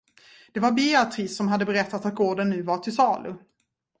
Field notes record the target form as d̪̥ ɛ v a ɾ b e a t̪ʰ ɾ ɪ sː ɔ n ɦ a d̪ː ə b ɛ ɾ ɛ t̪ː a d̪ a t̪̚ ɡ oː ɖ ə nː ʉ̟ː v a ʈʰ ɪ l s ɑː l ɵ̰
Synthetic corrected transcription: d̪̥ ɛ v a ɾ b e a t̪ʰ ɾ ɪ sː ɔ m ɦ a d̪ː ə b ɛ ɾ ɛ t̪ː a t̪ a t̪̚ ɡ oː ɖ ə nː ʉ̟ː v a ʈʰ ɪ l s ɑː l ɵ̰